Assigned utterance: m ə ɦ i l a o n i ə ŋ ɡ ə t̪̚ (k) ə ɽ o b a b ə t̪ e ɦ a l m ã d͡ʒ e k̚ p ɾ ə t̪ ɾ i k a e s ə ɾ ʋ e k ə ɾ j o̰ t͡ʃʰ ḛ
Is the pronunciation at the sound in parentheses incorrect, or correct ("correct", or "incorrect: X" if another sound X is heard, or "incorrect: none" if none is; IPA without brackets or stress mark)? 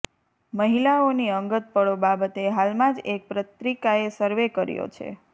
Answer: incorrect: p